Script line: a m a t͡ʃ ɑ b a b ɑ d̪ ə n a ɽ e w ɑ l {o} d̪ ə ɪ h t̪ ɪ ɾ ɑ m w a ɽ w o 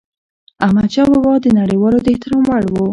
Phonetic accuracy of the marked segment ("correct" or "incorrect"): correct